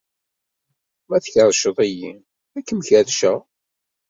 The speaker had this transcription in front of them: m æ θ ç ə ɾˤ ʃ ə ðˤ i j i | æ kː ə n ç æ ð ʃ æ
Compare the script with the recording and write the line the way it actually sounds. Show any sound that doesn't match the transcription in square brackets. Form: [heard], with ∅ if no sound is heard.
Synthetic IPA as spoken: m æ θ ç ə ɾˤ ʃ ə ðˤ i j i | æ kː ə [m] ç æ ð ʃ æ